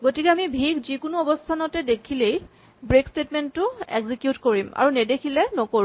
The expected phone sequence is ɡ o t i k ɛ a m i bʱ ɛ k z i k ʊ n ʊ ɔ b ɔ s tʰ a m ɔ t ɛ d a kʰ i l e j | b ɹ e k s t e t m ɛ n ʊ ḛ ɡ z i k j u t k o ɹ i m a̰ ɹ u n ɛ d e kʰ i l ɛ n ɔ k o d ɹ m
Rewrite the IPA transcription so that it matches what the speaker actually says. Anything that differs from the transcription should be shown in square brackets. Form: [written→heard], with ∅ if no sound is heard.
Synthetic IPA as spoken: ɡ o t i k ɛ a m i bʱ [ɛ→i] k z i k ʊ n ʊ ɔ b ɔ s tʰ a [m→n] ɔ t ɛ d [a→e] kʰ i l e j | b ɹ e k s t e t m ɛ n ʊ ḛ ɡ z i k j u t k o ɹ i m a̰ ɹ u n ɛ d e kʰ i l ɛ n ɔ k o [d→∅] ɹ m